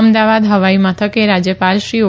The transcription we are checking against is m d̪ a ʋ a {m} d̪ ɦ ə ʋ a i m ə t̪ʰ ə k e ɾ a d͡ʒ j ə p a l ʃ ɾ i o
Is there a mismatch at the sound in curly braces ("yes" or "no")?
yes